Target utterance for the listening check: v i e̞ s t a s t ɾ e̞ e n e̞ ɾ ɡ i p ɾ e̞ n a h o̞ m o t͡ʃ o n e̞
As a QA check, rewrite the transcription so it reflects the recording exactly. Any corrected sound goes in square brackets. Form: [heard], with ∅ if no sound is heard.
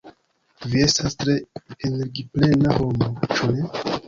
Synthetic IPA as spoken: v i e̞ s t a s t ɾ e̞ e n e̞ ɾ ɡ i p [l] e̞ n a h o̞ m o t͡ʃ [u] n e̞

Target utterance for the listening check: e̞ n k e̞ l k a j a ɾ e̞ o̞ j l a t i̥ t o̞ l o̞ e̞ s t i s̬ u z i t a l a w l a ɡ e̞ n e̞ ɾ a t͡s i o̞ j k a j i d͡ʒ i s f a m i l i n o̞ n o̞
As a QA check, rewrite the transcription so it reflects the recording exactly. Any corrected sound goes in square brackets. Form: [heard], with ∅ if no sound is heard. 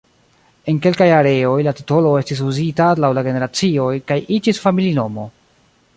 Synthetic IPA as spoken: e̞ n k e̞ l k a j a ɾ e̞ o̞ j l a t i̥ t o̞ l o̞ e̞ s t i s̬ u z i t a l a w l a ɡ e̞ n e̞ ɾ a t͡s i o̞ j k a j i d͡ʒ i s f a m i l i n o̞ [m] o̞

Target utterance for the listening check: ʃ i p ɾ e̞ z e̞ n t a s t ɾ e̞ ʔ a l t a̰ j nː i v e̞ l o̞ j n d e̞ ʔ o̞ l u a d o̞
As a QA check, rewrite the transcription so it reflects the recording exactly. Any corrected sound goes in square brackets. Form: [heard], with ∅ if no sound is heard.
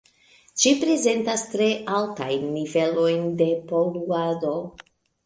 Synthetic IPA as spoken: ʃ i p ɾ e̞ z e̞ n t a s t ɾ e̞ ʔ a l t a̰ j nː i v e̞ l o̞ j n d e̞ [p] o̞ l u a d o̞

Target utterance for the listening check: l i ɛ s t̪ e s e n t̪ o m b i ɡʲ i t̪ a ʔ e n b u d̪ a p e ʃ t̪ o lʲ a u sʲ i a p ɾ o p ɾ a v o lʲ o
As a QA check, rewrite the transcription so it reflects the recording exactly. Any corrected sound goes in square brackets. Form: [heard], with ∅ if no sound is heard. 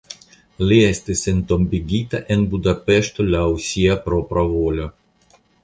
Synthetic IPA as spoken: l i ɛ s t̪ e s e n t̪ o m b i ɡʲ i t̪ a ʔ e n b u d̪ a p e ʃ t̪ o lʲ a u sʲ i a p ɾ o p ɾ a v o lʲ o

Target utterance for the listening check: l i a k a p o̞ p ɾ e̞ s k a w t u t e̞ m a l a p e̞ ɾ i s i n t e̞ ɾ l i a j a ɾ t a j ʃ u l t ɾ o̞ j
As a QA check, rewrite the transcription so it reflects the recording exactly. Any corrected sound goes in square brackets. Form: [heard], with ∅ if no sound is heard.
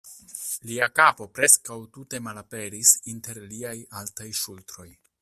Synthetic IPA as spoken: l i a k a p o̞ p ɾ e̞ s k a w t u t e̞ m a l a p e̞ ɾ i s i n t e̞ ɾ l i a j a [l] t a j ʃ u l t ɾ o̞ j

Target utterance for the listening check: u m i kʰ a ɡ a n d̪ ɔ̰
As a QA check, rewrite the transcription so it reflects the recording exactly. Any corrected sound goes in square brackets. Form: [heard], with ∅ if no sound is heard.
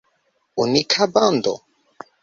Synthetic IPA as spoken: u [n] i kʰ a [b] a n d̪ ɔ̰

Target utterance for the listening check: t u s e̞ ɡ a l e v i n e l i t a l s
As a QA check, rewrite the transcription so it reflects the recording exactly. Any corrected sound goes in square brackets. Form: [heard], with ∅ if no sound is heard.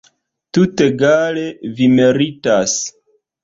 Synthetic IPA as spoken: t u [t] e̞ ɡ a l e v i [m] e [ɾ] i t a [∅] s

